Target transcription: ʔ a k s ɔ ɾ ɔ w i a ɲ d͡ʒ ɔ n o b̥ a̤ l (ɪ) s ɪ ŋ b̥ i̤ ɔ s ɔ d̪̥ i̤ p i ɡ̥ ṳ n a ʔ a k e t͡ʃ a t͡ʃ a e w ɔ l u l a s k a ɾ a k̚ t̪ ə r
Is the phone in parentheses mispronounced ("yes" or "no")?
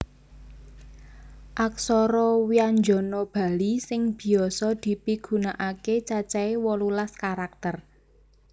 yes